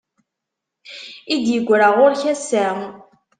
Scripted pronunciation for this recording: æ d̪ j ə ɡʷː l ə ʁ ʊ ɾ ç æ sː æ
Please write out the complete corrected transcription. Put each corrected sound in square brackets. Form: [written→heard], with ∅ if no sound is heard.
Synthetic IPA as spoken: [æ→i] d̪ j ə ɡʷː [l→ɾ] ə ʁ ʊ ɾ ç æ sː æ